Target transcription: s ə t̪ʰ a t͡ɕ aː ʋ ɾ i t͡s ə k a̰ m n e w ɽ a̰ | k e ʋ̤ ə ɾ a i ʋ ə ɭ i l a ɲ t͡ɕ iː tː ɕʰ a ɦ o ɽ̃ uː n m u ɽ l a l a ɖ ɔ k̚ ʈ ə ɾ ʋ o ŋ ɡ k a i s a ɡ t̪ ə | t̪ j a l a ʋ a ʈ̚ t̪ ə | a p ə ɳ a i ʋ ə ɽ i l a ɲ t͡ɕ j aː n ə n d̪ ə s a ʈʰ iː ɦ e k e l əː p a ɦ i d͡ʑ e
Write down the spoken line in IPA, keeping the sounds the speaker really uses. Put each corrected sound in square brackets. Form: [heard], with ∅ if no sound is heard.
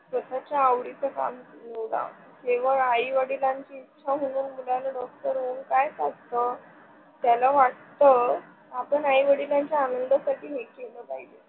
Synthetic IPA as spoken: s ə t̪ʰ a t͡ɕ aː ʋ [ɽ] i t͡s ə k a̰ m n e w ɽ a̰ | k e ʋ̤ ə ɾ a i ʋ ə [ɽ] i l a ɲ t͡ɕ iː tː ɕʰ a ɦ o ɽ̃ uː n m u [∅] l a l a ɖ ɔ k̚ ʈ ə ɾ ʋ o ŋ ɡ k a [j] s a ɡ t̪ ə | t̪ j a l a ʋ a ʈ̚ t̪ ə | a p ə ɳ a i ʋ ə ɽ i l a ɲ t͡ɕ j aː n ə n d̪ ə s a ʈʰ iː ɦ e k e l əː p a ɦ i d͡ʑ e